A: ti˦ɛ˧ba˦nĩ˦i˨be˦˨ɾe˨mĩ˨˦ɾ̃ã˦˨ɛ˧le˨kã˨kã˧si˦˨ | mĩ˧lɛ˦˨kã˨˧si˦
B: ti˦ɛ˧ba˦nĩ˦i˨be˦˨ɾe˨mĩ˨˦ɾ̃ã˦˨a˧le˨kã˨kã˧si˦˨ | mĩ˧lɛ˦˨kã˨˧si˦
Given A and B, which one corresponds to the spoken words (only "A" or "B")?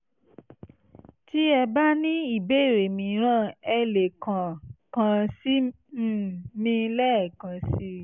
A